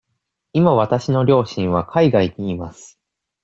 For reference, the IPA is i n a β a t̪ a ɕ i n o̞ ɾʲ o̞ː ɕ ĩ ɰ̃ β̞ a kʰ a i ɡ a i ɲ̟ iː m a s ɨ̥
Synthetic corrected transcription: i m a β a t̪ a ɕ i n o̞ ɾʲ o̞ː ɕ ĩ ɰ̃ β̞ a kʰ a i ɡ a i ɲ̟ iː m a s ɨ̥

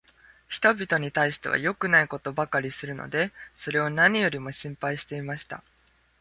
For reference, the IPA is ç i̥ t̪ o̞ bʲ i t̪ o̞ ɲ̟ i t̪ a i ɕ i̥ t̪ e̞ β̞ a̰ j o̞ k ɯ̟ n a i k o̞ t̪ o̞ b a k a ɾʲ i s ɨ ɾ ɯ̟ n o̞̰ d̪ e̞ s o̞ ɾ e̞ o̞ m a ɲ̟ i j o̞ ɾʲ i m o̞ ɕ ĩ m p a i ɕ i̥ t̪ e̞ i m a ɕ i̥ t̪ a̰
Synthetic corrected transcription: ç i̥ t̪ o̞ bʲ i t̪ o̞ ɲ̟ i t̪ a i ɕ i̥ t̪ e̞ β̞ a̰ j o̞ k ɯ̟ n a i k o̞ t̪ o̞ b a k a ɾʲ i s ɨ ɾ ɯ̟ n o̞̰ d̪ e̞ s o̞ ɾ e̞ o̞ n a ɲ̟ i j o̞ ɾʲ i m o̞ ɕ ĩ m p a i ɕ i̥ t̪ e̞ i m a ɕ i̥ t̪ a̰

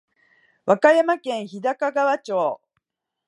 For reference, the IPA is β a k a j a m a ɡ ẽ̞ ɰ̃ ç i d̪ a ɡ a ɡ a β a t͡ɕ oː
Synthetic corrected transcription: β a k a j a m a k ẽ̞ ɰ̃ ç i d̪ a k a ɡ a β a t͡ɕ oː

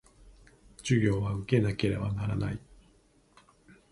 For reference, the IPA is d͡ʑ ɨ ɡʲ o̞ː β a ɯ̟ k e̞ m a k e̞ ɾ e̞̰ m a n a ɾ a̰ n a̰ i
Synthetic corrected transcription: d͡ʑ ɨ ɡʲ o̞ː β a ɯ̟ k e̞ n a k e̞ ɾ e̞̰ b a n a ɾ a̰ n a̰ i

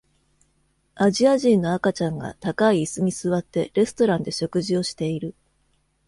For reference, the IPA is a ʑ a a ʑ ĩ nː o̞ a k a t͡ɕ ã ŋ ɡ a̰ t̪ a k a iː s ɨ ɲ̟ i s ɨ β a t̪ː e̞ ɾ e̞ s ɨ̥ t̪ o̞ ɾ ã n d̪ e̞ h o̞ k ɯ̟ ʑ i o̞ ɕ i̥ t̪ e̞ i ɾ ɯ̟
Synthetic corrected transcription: a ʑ i a ʑ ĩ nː o̞ a k a t͡ɕ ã ŋ ɡ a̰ t̪ a k a iː s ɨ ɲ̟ i s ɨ β a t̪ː e̞ ɾ e̞ s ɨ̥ t̪ o̞ ɾ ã n d̪ e̞ ɕ o̞ k ɯ̟ ʑ i o̞ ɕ i̥ t̪ e̞ i ɾ ɯ̟

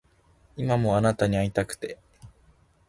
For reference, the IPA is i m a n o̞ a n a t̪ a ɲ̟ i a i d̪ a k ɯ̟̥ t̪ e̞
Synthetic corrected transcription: i m a m o̞ a n a t̪ a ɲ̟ i a i t̪ a k ɯ̟̥ t̪ e̞

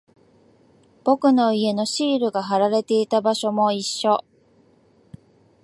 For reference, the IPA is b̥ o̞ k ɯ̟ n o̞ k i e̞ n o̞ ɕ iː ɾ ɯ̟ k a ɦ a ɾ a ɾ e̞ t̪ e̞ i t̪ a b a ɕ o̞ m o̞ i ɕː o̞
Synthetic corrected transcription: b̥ o̞ k ɯ̟ n o̞ i e̞ n o̞ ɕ iː ɾ ɯ̟ ɡ a ɦ a ɾ a ɾ e̞ t̪ e̞ i t̪ a b a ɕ o̞ m o̞ i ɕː o̞

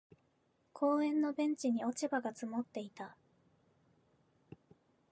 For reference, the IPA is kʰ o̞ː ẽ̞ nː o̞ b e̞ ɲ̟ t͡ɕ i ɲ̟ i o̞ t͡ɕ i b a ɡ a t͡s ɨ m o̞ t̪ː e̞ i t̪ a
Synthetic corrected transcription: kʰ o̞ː ẽ̞ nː o̞ b ẽ̞ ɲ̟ t͡ɕ i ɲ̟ i o̞ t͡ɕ i b a ɡ a t͡s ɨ m o̞ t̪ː e̞ i t̪ a

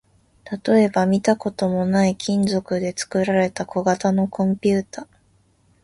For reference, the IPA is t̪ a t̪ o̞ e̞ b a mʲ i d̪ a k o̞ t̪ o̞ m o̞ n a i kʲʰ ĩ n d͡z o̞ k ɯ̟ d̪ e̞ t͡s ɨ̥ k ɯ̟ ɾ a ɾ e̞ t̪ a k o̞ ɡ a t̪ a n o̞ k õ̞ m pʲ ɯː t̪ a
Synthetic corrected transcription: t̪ a t̪ o̞ e̞ b a mʲ i t̪ a k o̞ t̪ o̞ m o̞ n a i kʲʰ ĩ n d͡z o̞ k ɯ̟ d̪ e̞ t͡s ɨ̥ k ɯ̟ ɾ a ɾ e̞ t̪ a k o̞ ɡ a t̪ a n o̞ k õ̞ m pʲ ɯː t̪ a

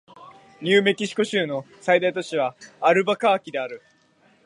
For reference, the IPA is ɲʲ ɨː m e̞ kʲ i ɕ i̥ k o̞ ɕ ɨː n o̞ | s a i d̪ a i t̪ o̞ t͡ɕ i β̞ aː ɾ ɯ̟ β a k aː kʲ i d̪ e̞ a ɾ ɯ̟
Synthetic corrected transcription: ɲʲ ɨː m e̞ kʲ i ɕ i̥ k o̞ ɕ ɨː n o̞ | s a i d̪ a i t̪ o̞ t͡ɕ i β̞ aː ɾ ɯ̟ b a k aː kʲ i d̪ e̞ a ɾ ɯ̟

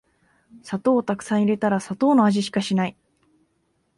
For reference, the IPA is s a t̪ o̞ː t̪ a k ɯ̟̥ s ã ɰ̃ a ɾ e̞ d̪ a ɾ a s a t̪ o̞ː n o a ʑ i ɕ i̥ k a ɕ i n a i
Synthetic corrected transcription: s a t̪ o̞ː t̪ a k ɯ̟̥ s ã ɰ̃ i ɾ e̞ t̪ a ɾ a s a t̪ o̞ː n o a ʑ i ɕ i̥ k a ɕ i n a i

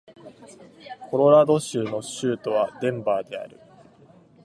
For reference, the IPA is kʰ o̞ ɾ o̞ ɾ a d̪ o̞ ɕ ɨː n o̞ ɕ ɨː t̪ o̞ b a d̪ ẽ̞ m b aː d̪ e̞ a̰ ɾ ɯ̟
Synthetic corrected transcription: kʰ o̞ ɾ o̞ ɾ a d̪ o̞ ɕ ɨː n o̞ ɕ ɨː t̪ o̞ β a d̪ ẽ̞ m b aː d̪ e̞ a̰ ɾ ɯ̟

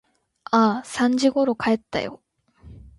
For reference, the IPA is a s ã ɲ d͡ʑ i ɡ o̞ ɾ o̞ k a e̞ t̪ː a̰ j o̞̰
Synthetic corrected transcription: a s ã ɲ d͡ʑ i ɡ o̞ ɾ o̞ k a e̞ t̪ː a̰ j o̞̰

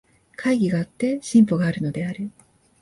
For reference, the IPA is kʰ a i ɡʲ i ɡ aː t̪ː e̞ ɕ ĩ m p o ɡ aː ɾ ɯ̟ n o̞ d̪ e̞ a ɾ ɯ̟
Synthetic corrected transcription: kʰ a i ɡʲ i ɡ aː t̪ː e̞ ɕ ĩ m p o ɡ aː ɾ ɯ̟ n o̞ d̪ e̞ a ɾ ɯ̟

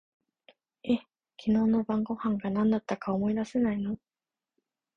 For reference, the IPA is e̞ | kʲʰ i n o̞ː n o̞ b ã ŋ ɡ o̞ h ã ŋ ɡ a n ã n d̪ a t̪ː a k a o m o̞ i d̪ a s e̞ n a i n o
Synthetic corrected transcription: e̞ | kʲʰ i n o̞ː n o̞ b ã ŋ ɡ o̞ h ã ŋ ɡ a n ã n d̪ a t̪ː a k a o m o̞ i d̪ a s e̞ n a i n o

